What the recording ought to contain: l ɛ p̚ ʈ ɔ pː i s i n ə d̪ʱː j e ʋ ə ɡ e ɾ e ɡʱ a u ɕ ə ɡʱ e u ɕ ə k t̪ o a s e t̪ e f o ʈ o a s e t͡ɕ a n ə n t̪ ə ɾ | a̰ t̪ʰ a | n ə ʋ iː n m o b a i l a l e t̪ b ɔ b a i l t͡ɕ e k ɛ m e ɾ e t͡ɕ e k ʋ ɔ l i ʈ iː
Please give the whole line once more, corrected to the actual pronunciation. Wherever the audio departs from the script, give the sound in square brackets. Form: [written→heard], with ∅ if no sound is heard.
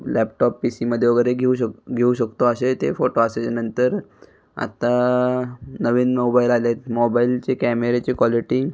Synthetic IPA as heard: l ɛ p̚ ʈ ɔ pː i s i [n→m] ə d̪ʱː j e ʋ ə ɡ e ɾ e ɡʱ [a→e] u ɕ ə ɡʱ e u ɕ ə k t̪ o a s e t̪ e f o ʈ o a s e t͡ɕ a n ə n t̪ ə ɾ | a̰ [t̪ʰ→t̪] a | n ə ʋ iː n m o b a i l a l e t̪ [b→m] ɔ b a i l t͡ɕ e k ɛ m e ɾ e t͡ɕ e k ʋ ɔ l i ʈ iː